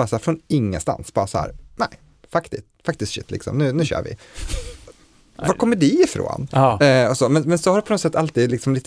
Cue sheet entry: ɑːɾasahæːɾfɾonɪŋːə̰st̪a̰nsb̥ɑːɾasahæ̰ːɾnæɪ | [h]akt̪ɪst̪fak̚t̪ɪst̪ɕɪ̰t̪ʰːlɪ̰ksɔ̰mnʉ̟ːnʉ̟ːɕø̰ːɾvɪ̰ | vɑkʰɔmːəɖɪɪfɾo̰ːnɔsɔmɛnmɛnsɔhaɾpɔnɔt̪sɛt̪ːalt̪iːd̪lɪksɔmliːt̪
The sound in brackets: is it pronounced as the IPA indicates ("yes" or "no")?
no